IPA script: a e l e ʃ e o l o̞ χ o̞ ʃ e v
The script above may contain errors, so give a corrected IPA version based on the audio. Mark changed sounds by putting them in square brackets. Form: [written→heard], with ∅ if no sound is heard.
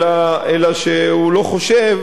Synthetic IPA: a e l [e→a] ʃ e [o→u] l o̞ χ o̞ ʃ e v